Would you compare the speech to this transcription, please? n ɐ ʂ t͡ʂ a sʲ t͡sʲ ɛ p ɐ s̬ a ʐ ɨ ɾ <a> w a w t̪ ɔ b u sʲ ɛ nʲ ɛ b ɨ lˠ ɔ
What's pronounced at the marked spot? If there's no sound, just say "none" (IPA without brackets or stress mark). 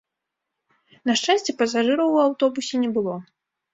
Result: ɐ